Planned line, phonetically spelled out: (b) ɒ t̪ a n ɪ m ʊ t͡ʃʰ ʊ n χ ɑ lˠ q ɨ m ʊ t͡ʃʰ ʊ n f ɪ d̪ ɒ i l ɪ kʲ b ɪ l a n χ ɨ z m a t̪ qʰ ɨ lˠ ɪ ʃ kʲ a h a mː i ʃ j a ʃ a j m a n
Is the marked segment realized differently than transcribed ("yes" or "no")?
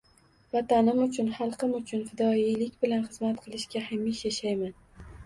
yes